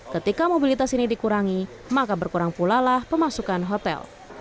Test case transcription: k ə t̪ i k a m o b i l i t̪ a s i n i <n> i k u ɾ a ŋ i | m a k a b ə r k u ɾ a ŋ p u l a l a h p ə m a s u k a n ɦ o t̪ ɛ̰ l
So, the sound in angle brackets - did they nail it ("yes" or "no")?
no